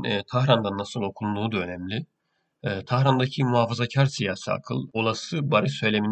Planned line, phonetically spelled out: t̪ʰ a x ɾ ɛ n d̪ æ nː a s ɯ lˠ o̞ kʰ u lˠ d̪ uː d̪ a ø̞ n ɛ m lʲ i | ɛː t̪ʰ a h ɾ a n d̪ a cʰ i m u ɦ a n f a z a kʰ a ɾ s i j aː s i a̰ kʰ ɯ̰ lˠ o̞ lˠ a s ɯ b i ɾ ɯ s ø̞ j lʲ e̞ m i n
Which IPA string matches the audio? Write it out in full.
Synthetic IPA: t̪ʰ a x ɾ a n d̪ a nː a s ɯ lˠ o̞ kʰ u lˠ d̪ uː d̪ a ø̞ n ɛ m lʲ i | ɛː t̪ʰ a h ɾ a n d̪ a cʰ i m u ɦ a f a z a cʰ a ɾ s i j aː s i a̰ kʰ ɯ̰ lˠ o̞ lˠ a s ɯ b a ɾ ɯ s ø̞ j lʲ e̞ m i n